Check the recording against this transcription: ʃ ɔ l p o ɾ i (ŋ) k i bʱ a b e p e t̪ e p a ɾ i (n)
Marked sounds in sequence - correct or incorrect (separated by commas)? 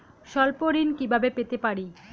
incorrect, incorrect